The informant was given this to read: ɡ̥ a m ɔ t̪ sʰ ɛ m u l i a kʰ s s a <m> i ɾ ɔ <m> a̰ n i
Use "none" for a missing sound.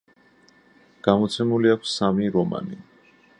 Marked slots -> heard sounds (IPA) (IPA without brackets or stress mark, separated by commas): m, m